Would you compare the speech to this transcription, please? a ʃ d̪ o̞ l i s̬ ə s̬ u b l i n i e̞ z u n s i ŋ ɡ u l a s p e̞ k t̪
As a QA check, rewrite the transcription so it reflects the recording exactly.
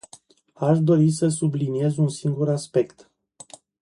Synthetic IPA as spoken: a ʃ d̪ o̞ ɾ i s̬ ə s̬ u b l i n i e̞ z u n s i ŋ ɡ u ɾ a s p e̞ k t̪